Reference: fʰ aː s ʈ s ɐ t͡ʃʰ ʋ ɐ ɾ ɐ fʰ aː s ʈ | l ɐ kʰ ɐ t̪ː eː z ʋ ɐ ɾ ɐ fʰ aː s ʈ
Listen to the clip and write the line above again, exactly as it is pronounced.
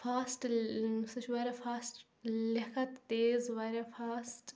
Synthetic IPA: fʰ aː s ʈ s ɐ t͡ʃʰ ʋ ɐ ɾ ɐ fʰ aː s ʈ | l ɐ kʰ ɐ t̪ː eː z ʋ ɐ ɾ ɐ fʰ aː s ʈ